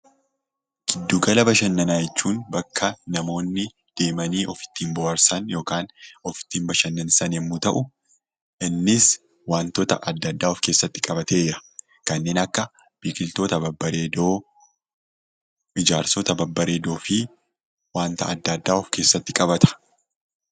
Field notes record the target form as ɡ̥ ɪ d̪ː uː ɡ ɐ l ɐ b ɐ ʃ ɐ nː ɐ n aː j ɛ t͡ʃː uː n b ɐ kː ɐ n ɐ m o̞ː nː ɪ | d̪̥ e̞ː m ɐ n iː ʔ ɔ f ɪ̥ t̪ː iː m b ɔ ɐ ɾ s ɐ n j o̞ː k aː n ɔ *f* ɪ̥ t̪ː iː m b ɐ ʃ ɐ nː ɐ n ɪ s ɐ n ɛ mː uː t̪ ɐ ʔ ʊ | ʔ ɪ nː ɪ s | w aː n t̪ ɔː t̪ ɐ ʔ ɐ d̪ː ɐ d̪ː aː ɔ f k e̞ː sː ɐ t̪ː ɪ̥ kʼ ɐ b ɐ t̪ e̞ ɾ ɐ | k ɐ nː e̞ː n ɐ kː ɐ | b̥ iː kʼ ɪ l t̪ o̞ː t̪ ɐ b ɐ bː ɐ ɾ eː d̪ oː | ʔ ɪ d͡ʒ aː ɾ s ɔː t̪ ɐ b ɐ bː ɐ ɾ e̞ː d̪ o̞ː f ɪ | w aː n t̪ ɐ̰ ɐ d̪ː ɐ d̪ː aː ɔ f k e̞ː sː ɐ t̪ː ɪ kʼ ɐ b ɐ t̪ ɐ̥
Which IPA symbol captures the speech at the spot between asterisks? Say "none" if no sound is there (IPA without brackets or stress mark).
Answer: f